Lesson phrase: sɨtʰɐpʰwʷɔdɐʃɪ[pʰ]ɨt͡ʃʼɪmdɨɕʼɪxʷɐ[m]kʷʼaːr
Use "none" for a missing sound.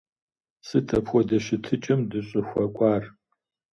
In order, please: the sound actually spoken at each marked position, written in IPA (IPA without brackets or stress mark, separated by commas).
tʰ, none